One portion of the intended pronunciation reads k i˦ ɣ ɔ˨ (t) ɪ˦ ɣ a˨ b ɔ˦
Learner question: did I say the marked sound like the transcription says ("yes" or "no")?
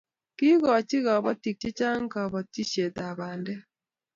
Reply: no